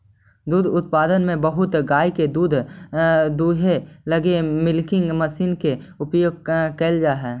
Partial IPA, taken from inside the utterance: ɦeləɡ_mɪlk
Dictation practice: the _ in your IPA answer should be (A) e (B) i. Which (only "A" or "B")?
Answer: A